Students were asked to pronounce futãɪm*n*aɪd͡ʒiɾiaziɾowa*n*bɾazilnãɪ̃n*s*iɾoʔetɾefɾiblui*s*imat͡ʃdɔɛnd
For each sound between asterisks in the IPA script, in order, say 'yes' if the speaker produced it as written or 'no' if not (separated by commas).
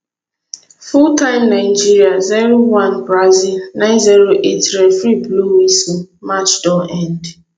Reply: yes, yes, no, yes